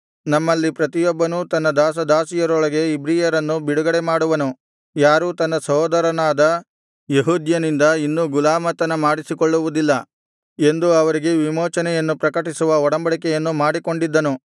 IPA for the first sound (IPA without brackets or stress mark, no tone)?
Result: n